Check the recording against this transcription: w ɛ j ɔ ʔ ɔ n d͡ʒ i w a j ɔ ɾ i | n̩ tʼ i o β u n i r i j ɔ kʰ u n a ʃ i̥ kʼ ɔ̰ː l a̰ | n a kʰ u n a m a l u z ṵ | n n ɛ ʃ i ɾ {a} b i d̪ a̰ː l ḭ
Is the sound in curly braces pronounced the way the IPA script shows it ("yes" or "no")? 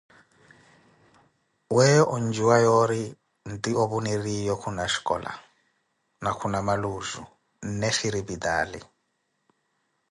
no